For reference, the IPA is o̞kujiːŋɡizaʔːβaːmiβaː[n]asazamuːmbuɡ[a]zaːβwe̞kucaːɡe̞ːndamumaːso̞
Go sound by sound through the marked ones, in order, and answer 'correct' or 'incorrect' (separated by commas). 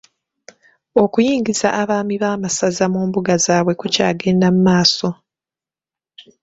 incorrect, correct